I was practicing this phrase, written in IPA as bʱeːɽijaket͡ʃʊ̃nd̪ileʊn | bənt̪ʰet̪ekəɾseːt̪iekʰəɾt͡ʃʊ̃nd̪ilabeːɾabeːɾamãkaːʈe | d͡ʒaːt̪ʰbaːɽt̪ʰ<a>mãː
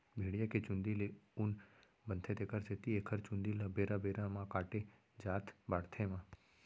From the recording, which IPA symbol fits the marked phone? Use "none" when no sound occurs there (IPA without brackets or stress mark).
e